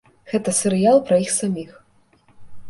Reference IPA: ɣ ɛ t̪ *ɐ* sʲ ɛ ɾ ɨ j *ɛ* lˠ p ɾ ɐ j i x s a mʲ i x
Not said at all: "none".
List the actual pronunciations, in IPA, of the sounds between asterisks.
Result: ɐ, a

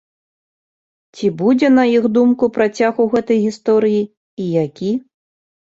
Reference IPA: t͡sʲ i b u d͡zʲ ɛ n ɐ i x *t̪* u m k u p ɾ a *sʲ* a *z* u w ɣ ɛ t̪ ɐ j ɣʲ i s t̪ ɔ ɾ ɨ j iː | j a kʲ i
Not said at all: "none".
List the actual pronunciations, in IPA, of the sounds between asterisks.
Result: d̪, t͡sʲ, ɣ

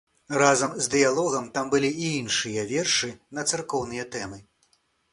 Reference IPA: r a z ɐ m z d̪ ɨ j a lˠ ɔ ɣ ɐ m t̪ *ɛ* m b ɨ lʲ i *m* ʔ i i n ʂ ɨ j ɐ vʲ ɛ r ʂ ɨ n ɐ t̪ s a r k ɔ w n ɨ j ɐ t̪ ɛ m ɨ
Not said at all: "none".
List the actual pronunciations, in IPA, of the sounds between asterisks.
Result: a, none

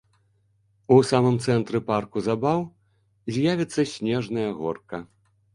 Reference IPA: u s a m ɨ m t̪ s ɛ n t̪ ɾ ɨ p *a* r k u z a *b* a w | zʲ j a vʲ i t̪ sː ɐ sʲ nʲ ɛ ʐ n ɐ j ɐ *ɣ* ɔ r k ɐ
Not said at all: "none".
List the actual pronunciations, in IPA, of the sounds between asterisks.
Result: a, b, ɣ

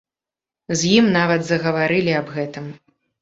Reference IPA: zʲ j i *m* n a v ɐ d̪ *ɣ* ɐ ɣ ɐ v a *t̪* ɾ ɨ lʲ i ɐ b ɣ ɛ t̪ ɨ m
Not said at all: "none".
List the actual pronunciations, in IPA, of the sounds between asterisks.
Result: m, z, none

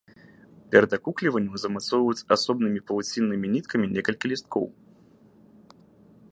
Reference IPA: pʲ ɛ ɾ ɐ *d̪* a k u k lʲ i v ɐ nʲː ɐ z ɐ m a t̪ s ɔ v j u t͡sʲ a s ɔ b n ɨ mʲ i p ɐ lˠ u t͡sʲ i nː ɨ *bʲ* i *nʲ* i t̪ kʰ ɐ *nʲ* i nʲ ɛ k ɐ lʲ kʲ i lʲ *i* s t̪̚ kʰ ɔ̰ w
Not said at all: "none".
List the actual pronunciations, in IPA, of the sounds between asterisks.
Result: d̪, mʲ, nʲ, mʲ, i

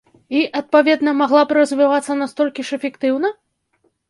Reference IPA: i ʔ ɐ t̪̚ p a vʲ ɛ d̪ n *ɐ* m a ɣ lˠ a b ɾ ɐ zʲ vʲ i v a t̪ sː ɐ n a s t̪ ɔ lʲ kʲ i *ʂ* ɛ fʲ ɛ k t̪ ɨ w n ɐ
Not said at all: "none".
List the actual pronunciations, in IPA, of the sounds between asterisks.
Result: ɐ, ʂ

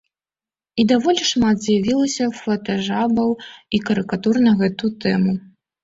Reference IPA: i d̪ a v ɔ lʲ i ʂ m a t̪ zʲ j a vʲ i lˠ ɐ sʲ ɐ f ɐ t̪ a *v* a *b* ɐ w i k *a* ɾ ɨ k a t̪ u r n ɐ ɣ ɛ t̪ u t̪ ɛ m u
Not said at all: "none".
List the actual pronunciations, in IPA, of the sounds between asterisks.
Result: ʐ, b, ɐ

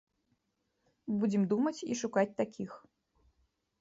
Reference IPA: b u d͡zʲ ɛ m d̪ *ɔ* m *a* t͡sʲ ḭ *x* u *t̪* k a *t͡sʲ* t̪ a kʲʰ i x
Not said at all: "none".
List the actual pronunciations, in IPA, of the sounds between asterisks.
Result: u, ɐ, ʂ, none, t͡sʲ

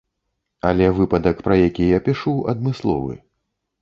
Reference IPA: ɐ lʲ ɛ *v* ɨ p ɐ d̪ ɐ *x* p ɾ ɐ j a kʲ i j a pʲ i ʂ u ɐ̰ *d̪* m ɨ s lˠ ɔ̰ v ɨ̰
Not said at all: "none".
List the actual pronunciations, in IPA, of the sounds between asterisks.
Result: v, k, d̪

